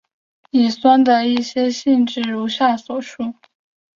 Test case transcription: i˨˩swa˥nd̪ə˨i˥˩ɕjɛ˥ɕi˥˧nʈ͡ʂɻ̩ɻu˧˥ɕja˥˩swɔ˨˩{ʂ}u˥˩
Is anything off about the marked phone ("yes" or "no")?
no